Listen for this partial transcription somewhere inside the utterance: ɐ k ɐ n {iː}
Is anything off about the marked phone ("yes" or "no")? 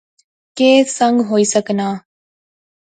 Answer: yes